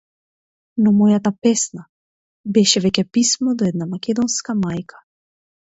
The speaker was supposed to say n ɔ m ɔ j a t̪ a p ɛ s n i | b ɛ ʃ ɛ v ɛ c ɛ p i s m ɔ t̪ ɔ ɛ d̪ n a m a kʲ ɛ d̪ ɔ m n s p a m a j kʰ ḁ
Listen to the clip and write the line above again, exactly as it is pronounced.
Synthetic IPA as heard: n ɔ m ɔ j a t̪ a p ɛ s n a | b ɛ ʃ ɛ v ɛ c ɛ p i s m ɔ d̪ ɔ ɛ d̪ n a m a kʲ ɛ d̪ ɔ n s k a m a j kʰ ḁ

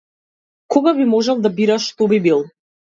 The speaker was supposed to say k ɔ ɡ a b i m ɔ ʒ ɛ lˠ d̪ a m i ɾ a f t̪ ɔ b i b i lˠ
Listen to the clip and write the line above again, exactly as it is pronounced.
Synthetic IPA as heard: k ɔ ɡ a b i m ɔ ʒ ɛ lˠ d̪ a b i ɾ a ʃ t̪ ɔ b i b i lˠ

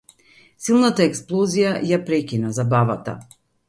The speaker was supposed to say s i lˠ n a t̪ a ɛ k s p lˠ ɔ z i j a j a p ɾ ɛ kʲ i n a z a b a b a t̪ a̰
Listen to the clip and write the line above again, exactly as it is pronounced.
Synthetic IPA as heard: s i lˠ n a t̪ a ɛ k s p lˠ ɔ z i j a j a p ɾ ɛ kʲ i n a z a b a v a t̪ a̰

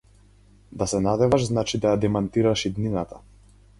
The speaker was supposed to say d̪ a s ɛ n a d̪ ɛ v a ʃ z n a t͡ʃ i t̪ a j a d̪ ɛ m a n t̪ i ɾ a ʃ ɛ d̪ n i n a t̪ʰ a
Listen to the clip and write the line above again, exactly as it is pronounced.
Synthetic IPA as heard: d̪ a s ɛ n a d̪ ɛ v a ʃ z n a t͡ʃ i d̪ a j a d̪ ɛ m a n t̪ i ɾ a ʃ i d̪ n i n a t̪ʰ a

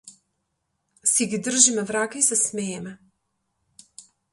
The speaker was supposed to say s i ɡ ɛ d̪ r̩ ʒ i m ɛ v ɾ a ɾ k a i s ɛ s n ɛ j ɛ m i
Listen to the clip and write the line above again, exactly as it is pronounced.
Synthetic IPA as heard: s i ɡ i d̪ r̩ ʒ i m ɛ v ɾ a k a i s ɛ s m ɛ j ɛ m ɛ

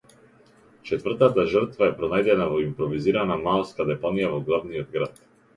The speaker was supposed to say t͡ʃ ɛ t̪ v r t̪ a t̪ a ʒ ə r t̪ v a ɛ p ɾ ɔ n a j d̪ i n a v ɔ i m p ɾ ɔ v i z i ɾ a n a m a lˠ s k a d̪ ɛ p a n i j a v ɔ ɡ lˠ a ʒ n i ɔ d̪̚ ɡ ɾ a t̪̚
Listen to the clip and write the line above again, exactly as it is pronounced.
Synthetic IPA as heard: t͡ʃ ɛ t̪ v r t̪ a t̪ a ʒ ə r t̪ v a ɛ p ɾ ɔ n a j d̪ ɛ n a v ɔ i m p ɾ ɔ v i z i ɾ a n a m a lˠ s k a d̪ ɛ p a n i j a v ɔ ɡ lˠ a v n i ɔ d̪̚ ɡ ɾ a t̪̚

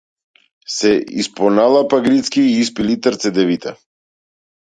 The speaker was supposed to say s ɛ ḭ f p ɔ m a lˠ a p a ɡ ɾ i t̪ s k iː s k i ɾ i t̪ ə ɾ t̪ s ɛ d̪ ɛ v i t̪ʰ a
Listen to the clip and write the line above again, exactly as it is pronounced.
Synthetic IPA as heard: s ɛ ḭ s p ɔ n a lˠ a p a ɡ ɾ i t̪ s k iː s p i l i t̪ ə ɾ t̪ s ɛ d̪ ɛ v i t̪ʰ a

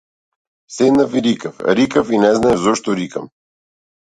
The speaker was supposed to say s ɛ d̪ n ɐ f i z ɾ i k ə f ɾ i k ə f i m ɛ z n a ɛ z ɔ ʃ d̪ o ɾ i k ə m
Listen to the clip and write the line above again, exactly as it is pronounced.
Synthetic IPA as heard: s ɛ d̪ n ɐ f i ɾ i k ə f ɾ i k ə f i n ɛ z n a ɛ z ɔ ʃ t̪ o ɾ i k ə m

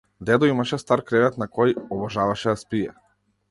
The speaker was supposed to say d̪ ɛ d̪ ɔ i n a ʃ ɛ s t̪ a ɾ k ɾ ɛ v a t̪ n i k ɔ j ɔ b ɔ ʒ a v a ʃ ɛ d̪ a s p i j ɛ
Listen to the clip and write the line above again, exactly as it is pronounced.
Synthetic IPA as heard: d̪ ɛ d̪ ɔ i m a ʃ ɛ s t̪ a ɾ k ɾ ɛ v ɛ t̪ n a k ɔ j ɔ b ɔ ʒ a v a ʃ ɛ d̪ a s p i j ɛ

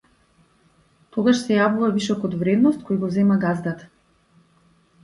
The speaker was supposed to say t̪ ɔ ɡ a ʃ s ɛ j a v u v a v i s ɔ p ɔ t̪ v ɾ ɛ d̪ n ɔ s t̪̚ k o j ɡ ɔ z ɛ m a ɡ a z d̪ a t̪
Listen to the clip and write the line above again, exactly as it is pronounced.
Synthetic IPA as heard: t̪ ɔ ɡ a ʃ s ɛ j a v u v a v i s ɔ k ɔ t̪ v ɾ ɛ d̪ n ɔ s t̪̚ k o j ɡ ɔ z ɛ m a ɡ a z d̪ a t̪

